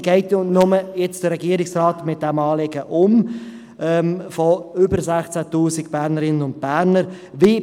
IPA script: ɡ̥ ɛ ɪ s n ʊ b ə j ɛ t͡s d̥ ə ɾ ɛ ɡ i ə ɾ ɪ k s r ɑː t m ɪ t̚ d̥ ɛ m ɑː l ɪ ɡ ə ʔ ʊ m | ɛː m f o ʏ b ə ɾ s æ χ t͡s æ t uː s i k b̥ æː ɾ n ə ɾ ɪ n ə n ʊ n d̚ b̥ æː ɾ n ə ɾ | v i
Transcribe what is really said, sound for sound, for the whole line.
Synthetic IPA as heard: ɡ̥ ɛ ɪ t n ʊ m ə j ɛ t͡s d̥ ə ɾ ɛ ɡ i ə ɾ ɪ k s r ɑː t m ɪ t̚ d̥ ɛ m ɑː l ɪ ɡ ə ʔ ʊ m | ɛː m f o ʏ b ə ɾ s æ χ t͡s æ t uː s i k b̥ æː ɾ n ə ɾ ɪ n ə n ʊ n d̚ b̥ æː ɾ n ə ɾ | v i